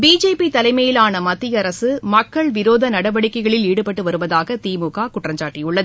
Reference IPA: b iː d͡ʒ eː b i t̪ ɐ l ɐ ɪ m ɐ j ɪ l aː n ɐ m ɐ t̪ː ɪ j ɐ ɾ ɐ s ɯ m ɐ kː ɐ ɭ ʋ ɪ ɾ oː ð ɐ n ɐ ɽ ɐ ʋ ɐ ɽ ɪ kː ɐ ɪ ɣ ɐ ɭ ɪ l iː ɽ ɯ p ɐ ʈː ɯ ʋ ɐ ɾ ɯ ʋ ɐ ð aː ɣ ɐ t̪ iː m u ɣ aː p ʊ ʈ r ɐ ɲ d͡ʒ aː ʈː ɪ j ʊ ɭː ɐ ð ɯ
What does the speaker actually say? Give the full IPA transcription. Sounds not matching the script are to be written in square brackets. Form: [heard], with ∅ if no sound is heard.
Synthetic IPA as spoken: b iː d͡ʒ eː [p] i t̪ ɐ l ɐ ɪ m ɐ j ɪ l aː n ɐ m ɐ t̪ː ɪ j ɐ ɾ ɐ s ɯ m ɐ kː ɐ ɭ ʋ ɪ ɾ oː ð ɐ n ɐ ɽ ɐ ʋ ɐ ɽ ɪ kː ɐ ɪ ɣ ɐ ɭ ɪ l iː ɽ ɯ p ɐ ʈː ɯ ʋ ɐ ɾ ɯ ʋ ɐ ð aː ɣ ɐ t̪ iː m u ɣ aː [k] ʊ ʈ r ɐ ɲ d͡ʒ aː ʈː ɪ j ʊ ɭː ɐ ð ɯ

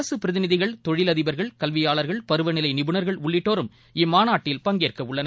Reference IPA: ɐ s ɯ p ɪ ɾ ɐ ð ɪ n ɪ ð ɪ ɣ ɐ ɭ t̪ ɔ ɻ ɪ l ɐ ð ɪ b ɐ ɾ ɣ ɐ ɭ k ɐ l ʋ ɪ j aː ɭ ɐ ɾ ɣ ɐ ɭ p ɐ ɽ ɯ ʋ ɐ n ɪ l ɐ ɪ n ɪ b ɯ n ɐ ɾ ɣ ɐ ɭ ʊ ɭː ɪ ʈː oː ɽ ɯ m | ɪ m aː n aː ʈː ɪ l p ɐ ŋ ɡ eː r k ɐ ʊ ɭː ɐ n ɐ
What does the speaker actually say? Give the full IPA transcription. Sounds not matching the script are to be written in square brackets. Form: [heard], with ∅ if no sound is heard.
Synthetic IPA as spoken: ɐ s ɯ p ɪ ɾ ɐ ð ɪ n ɪ ð ɪ ɣ ɐ ɭ t̪ ɔ ɻ ɪ l ɐ ð ɪ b ɐ ɾ ɣ ɐ ɭ k ɐ l ʋ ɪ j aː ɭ ɐ ɾ ɣ ɐ ɭ p ɐ [ɾ] ɯ ʋ ɐ n ɪ l ɐ ɪ n ɪ b ɯ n ɐ ɾ ɣ ɐ ɭ ʊ ɭː ɪ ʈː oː [ɾ] ɯ m | ɪ m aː n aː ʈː ɪ l p ɐ ŋ ɡ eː r k ɐ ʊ ɭː ɐ n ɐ

